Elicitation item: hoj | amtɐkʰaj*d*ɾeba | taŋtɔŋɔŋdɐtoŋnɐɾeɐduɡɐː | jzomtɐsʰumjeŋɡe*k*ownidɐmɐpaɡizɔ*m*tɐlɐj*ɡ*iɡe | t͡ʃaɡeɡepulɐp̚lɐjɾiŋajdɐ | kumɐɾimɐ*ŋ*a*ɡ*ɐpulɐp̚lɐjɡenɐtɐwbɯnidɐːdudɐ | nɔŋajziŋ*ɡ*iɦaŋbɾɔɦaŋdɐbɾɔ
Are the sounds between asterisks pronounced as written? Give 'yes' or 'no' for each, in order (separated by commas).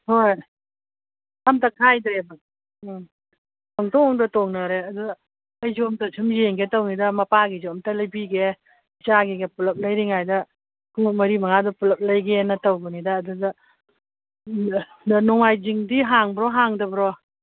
yes, no, yes, no, yes, no, no